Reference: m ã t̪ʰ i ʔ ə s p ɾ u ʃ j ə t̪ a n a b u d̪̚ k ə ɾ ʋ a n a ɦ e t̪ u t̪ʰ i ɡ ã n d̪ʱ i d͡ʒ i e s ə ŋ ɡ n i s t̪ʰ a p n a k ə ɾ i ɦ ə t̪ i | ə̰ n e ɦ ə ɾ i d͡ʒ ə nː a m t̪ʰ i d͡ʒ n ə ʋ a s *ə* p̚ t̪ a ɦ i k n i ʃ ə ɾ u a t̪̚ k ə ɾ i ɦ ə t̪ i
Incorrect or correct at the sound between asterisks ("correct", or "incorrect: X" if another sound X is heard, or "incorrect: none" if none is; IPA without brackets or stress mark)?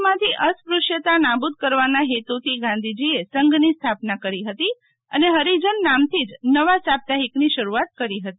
incorrect: a